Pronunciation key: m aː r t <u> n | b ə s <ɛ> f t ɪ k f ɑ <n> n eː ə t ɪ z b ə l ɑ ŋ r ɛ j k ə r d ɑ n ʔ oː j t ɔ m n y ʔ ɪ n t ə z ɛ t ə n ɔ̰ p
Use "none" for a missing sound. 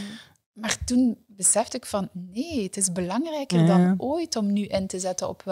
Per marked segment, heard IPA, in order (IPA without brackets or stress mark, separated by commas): u, ɛ, n